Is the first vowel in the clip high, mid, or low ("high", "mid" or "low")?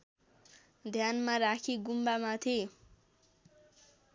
low